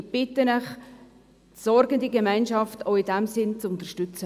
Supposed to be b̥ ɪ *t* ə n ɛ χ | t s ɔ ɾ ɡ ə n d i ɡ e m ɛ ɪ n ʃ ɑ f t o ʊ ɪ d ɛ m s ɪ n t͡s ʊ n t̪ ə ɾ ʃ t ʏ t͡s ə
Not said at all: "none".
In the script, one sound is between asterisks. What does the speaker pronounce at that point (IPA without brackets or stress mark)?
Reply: t